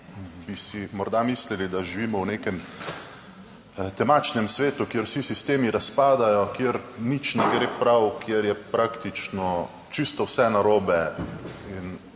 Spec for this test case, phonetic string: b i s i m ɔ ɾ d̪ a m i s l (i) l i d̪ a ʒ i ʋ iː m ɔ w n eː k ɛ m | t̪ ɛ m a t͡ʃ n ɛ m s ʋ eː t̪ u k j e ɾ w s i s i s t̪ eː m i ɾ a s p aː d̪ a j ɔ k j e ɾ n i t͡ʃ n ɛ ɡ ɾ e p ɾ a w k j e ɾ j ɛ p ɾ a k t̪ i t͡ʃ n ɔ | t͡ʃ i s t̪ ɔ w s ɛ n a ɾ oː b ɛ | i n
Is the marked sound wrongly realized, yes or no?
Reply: no